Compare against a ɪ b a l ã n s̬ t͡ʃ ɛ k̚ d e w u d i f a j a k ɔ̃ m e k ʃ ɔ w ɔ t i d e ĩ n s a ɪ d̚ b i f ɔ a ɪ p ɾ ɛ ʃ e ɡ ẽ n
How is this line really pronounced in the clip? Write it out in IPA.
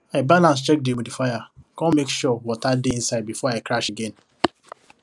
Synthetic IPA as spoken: a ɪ b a l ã n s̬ t͡ʃ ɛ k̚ d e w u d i f a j a k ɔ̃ m e k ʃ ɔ w ɔ t a d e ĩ n s a ɪ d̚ b i f ɔ a ɪ k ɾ a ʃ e ɡ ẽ n

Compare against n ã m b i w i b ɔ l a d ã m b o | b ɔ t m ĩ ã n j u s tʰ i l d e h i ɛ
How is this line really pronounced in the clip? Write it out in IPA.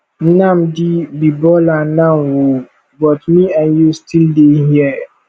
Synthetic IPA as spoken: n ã m d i b i b ɔ l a n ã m w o | b ɔ t m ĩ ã n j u s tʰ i l d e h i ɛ

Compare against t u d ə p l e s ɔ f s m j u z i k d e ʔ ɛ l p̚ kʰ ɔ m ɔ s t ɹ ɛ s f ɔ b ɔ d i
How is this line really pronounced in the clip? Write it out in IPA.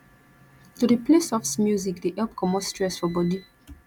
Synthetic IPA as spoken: t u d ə p l e s ɔ f s m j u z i k d e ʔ ɛ l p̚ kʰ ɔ m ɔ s t ɹ ɛ s f ɔ b ɔ d i

